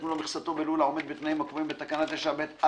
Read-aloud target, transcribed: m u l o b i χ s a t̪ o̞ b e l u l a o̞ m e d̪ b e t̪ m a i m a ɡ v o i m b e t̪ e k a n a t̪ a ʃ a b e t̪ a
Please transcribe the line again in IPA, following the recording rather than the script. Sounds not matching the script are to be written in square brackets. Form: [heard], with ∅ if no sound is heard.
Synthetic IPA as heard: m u l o [m] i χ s a t̪ o̞ b e l u l a o̞ m e d̪ b e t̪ [n] a i m a [k] v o i m b e t̪ [a] k a n a t̪ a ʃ a b e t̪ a